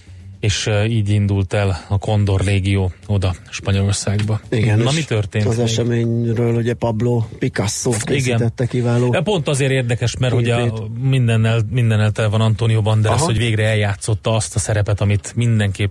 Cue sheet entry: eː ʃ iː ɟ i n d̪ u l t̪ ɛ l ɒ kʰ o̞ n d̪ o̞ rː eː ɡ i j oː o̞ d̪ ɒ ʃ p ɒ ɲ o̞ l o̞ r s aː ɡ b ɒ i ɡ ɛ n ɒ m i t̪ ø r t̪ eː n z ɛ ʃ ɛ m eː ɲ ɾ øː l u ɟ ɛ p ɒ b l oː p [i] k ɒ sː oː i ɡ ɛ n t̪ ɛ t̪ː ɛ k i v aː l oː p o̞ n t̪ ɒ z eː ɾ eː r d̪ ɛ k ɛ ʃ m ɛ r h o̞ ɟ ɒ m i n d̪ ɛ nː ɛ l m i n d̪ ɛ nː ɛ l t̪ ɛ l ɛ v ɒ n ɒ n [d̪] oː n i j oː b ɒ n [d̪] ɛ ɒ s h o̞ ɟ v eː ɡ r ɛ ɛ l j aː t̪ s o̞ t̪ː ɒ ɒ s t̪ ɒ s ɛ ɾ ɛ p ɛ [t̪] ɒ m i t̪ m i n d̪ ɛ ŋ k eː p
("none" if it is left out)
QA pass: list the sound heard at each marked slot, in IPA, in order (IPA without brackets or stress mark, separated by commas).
i, t̪, d̪, t̪